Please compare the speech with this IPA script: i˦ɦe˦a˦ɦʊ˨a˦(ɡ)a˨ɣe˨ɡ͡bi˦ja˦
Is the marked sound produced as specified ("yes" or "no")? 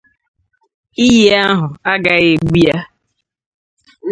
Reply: yes